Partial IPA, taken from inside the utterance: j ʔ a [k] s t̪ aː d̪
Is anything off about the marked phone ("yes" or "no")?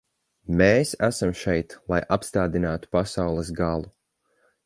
yes